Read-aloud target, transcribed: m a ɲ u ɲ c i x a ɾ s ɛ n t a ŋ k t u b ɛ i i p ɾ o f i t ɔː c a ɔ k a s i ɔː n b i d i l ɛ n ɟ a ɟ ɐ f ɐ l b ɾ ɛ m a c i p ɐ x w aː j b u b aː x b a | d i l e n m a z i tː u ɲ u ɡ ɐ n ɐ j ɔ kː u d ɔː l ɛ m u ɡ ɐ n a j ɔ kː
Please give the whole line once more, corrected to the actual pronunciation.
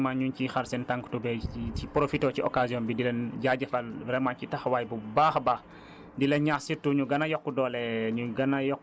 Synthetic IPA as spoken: m a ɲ u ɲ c i x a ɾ s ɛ n t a ŋ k t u b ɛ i i p ɾ o f i t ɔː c i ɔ k a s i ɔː n b i d i l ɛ n ɟ a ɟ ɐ f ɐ l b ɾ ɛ m a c i t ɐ x w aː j b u b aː x b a | d i l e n ɲ a s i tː u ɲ u ɡ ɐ n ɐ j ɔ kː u d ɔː l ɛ ɲ u ɡ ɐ n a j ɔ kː

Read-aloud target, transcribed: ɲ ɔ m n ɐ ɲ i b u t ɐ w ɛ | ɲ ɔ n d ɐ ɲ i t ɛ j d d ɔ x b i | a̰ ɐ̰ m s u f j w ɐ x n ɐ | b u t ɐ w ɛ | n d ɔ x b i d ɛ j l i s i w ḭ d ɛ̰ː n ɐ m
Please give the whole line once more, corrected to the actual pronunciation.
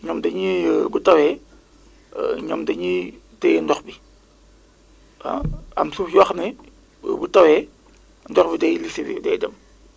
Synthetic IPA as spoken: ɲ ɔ m d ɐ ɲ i b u t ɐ w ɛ | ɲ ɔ m d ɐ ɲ i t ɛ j n d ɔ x b i | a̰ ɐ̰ m s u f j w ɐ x n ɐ | b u t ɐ w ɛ | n d ɔ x b i d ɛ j l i s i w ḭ d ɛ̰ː d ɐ m

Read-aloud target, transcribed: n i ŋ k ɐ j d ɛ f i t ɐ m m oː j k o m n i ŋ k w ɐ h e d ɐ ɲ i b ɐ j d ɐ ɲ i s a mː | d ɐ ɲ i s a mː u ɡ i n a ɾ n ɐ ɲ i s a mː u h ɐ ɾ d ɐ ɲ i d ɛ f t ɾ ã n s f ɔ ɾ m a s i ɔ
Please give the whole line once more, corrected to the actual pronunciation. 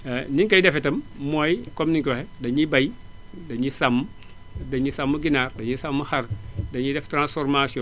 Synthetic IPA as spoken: n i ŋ k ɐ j d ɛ f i t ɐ m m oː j k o m n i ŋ k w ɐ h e d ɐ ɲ i b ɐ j d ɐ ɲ i s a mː | d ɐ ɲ i s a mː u ɡ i n a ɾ d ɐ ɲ i s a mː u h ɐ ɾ d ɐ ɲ i d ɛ f t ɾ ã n s f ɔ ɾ m a s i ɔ

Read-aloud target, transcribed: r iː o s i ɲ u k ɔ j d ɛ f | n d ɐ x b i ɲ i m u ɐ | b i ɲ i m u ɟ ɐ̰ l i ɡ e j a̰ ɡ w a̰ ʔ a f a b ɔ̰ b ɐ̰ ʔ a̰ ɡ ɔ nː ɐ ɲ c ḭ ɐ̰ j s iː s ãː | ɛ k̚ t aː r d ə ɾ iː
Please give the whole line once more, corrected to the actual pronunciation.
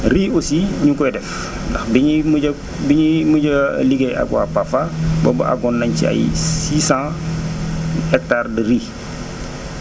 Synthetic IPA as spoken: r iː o s i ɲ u k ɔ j d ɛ f | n d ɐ x b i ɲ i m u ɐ | b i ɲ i m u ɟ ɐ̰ l i ɡ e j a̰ ɡ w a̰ p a f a b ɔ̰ b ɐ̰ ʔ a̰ ɡ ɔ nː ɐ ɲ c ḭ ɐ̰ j s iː s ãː | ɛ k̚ t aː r d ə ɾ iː

